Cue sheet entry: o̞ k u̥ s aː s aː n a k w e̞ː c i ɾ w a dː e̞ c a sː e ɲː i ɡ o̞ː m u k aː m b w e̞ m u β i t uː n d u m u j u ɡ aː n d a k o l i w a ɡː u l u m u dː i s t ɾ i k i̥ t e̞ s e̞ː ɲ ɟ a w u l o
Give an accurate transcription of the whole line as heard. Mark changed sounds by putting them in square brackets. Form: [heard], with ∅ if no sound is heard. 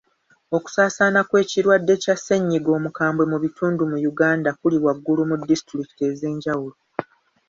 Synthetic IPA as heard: o̞ k u̥ s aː s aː n a k w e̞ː c i ɾ w a dː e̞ c a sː e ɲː i ɡ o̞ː m u k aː m b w e̞ m u β i t uː n d u m u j u ɡ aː n d a k [u] l i w a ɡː u l u m u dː i s t ɾ i k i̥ t e̞ [z] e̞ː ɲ ɟ a w u l o